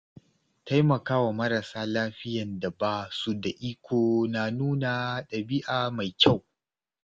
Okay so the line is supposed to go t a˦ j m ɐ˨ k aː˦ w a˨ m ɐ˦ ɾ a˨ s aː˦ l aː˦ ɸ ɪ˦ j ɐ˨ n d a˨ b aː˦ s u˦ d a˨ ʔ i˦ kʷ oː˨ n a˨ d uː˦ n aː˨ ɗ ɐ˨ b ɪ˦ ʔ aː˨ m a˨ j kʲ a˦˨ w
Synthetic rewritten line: t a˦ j m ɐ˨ k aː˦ w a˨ m ɐ˦ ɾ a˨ s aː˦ l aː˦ ɸ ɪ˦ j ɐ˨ n d a˨ b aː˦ s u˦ d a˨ ʔ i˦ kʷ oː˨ n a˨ n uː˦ n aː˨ ɗ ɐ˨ b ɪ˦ ʔ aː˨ m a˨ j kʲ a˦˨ w